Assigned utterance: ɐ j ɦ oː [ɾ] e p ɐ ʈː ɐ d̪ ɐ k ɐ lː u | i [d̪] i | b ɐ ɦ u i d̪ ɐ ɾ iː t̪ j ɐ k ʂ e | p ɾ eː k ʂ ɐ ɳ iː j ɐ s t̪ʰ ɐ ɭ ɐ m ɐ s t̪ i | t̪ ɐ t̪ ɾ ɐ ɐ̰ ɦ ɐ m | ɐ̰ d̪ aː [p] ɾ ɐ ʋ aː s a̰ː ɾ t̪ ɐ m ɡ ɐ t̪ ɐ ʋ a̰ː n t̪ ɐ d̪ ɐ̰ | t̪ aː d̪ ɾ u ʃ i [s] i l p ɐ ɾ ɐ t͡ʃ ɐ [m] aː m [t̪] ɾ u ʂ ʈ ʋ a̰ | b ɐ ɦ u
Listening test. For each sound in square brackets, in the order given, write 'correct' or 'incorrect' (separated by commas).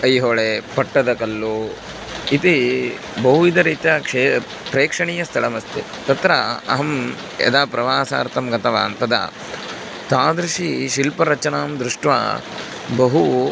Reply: incorrect, incorrect, correct, incorrect, incorrect, incorrect